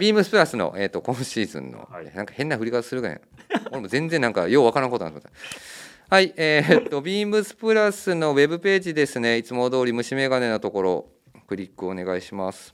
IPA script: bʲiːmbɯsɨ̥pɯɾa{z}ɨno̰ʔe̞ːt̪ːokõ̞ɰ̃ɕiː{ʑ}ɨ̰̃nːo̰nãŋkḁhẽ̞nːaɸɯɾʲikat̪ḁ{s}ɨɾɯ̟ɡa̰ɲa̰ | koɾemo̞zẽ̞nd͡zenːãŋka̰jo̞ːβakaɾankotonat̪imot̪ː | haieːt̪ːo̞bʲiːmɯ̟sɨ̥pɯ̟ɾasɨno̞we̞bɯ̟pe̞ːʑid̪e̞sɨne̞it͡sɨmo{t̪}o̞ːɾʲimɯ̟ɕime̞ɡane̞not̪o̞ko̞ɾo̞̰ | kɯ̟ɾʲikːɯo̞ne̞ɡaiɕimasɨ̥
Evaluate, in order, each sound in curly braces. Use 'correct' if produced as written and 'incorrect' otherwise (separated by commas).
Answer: incorrect, incorrect, correct, incorrect